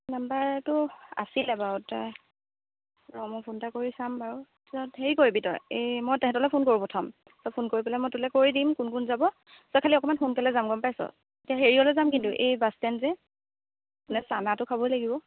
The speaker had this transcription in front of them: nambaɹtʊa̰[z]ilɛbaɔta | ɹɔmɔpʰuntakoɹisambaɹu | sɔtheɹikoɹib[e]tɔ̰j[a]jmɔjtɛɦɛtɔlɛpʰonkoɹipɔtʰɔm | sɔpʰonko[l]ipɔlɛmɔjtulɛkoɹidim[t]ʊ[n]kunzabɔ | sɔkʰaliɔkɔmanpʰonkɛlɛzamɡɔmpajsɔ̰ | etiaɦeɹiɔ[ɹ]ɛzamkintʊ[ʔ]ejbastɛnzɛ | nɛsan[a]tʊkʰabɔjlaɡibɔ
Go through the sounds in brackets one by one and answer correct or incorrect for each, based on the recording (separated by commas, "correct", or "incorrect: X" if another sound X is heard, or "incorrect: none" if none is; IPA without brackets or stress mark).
incorrect: s, incorrect: i, incorrect: e, incorrect: ɹ, incorrect: k, correct, incorrect: l, correct, correct